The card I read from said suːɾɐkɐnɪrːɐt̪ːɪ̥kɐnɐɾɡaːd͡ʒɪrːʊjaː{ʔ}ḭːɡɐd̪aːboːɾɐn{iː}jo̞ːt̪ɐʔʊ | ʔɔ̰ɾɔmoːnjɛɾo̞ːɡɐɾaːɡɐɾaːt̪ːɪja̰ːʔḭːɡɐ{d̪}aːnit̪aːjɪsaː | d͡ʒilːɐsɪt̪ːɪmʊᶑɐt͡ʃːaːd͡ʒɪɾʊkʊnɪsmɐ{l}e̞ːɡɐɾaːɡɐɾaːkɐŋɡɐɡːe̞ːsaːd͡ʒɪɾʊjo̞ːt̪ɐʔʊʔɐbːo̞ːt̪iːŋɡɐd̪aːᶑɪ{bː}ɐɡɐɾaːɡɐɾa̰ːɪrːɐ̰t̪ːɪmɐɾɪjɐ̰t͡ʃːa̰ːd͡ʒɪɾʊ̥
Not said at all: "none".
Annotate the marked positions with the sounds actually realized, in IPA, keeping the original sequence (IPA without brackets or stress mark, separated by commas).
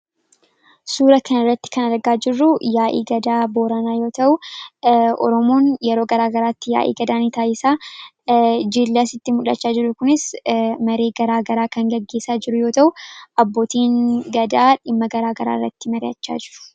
ʔ, aː, d̪, ɾ, mː